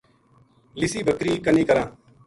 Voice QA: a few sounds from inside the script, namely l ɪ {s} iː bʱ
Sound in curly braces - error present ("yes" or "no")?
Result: no